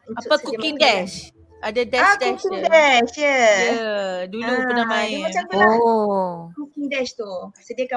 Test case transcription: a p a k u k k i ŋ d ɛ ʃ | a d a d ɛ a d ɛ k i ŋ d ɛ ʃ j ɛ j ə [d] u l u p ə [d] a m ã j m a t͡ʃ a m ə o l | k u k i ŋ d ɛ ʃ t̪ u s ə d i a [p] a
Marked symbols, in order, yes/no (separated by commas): yes, no, no